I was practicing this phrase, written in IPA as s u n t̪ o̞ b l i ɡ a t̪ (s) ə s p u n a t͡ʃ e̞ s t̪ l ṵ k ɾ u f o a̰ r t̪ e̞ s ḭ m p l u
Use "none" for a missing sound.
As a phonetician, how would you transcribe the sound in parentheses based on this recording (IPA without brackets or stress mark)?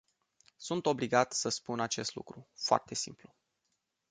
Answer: s